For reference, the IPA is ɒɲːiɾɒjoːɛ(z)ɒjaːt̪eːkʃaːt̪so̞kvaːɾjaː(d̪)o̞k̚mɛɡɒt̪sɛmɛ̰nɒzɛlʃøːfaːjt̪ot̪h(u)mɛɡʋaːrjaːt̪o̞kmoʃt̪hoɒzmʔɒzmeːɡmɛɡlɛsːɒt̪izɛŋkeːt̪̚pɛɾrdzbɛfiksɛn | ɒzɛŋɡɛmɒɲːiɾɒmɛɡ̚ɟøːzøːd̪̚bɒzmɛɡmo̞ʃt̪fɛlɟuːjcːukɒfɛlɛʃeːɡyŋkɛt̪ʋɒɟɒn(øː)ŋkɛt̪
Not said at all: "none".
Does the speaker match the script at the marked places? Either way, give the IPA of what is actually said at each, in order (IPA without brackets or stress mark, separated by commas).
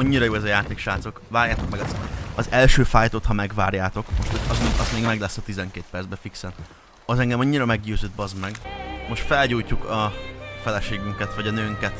z, t̪, ɒ, øː